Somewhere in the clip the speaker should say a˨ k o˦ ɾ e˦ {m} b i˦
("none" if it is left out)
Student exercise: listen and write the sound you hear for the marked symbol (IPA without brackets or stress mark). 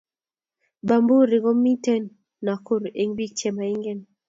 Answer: ŋ